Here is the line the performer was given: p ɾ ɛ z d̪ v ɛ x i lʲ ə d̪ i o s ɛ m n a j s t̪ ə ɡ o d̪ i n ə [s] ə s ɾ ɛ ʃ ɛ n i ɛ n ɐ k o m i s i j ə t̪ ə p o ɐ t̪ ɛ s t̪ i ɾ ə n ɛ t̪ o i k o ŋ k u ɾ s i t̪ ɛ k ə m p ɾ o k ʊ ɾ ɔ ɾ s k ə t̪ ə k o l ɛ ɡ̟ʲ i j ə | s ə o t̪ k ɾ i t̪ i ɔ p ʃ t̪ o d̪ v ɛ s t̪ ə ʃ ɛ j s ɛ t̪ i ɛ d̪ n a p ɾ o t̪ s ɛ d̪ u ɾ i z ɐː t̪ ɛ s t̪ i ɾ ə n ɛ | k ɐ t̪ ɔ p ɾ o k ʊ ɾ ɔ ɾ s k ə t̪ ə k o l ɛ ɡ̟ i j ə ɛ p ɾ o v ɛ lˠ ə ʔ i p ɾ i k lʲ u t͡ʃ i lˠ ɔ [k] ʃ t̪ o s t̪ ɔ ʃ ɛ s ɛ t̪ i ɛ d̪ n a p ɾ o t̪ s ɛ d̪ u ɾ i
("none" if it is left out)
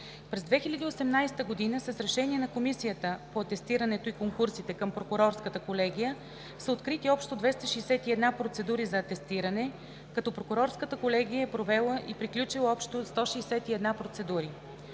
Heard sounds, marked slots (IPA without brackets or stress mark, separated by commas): s, p